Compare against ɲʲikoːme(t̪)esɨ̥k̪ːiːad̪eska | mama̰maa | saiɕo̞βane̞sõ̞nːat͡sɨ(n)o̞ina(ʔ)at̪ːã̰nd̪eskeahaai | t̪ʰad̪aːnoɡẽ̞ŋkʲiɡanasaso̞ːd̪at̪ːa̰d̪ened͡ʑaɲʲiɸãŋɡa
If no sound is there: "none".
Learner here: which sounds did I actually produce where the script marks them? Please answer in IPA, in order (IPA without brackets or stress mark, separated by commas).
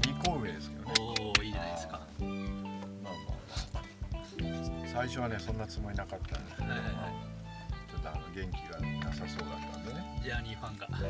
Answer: d̪, m, k